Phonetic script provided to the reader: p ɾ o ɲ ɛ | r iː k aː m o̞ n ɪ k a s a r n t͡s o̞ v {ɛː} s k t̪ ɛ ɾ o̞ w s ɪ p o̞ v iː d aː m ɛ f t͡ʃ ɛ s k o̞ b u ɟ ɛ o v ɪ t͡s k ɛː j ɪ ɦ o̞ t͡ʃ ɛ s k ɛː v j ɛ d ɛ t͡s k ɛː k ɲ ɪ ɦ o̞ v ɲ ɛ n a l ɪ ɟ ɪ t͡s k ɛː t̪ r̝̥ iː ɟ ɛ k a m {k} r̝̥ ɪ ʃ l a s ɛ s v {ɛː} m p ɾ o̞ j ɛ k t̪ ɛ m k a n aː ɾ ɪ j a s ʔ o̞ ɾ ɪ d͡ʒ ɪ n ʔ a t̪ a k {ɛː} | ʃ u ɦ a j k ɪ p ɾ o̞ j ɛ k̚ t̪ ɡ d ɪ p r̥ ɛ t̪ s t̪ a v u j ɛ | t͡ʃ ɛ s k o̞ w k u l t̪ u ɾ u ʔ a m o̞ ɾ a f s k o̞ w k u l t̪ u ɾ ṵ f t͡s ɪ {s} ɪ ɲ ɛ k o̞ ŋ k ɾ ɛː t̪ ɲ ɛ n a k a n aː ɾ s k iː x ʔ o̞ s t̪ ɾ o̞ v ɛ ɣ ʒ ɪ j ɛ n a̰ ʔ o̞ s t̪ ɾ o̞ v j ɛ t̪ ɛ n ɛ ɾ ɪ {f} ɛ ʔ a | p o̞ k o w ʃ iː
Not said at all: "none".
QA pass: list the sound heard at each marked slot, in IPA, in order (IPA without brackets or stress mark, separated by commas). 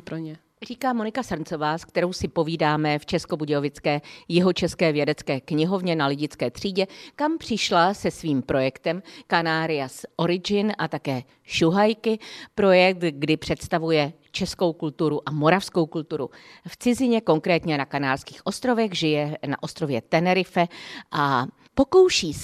aː, p, iː, ɛː, z, f